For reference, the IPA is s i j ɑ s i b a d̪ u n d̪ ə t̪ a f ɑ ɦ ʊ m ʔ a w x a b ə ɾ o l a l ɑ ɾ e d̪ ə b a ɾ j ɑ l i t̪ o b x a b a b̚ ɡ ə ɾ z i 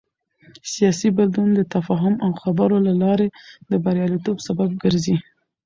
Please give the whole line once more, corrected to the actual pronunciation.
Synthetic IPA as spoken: s i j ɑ s i b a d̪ u n d̪ ə t̪ a f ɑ ɦ ʊ m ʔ a w x a b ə ɾ o l a l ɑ ɾ e d̪ ə b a ɾ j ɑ l i t̪ o b s a b a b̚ ɡ ə ɾ z i